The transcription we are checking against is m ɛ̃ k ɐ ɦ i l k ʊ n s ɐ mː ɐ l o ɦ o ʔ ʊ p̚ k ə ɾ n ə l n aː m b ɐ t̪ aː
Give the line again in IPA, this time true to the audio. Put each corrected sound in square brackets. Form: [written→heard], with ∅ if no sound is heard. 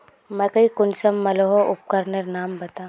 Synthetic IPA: m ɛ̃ k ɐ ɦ i [l→∅] k ʊ n s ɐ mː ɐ l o ɦ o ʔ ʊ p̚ k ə ɾ n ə [l→ɾ] n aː m b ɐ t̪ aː